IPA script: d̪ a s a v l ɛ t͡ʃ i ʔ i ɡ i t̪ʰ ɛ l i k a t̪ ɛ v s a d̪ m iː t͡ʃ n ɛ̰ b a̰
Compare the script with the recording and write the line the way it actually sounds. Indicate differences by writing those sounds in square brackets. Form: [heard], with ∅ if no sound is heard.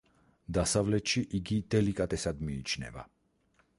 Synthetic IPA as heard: d̪ a s a v l ɛ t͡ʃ i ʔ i ɡ i [t̪] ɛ l i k a t̪ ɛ [∅] s a d̪ m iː t͡ʃ n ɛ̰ [v] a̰